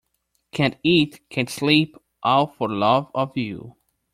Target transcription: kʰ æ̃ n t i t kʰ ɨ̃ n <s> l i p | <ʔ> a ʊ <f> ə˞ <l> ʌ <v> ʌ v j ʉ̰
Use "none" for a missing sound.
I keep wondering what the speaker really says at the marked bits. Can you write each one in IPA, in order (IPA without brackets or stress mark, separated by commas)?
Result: s, ʔ, f, l, v